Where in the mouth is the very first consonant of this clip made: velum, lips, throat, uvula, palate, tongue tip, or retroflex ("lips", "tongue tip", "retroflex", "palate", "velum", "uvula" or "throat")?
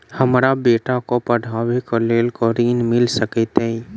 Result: throat